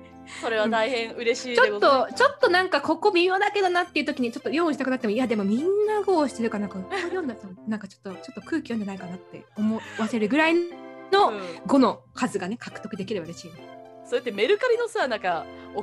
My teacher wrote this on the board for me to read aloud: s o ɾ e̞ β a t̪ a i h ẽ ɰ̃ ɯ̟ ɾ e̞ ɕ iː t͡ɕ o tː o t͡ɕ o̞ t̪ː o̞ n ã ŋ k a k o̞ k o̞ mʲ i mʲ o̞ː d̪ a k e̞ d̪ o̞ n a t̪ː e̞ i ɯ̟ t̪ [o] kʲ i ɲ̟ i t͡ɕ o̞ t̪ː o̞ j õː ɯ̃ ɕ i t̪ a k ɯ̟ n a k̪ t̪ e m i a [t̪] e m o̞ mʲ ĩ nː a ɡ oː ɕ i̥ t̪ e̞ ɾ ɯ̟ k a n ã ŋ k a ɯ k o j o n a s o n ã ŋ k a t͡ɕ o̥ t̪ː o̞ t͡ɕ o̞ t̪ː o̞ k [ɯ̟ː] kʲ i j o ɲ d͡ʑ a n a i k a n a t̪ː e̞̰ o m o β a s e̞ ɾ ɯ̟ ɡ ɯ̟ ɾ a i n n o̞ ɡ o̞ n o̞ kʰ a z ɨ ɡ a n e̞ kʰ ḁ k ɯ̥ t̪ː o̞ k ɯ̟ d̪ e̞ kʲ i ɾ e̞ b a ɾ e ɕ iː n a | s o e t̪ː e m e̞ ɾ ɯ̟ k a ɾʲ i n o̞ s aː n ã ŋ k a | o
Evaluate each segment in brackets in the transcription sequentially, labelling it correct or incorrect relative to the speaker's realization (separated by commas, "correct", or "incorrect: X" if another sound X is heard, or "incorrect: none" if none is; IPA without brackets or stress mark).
correct, incorrect: d̪, correct